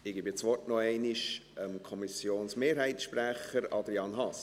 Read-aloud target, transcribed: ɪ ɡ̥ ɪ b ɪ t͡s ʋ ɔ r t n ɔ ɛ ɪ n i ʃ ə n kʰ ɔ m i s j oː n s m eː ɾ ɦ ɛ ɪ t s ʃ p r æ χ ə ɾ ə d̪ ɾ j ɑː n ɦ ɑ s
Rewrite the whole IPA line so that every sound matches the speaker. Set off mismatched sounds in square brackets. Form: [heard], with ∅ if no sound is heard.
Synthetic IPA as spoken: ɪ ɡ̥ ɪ b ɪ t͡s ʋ ɔ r t n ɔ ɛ ɪ n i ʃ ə [m] kʰ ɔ m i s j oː n s m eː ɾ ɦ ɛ ɪ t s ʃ p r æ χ ə ɾ [ɑ] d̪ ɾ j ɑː n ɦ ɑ s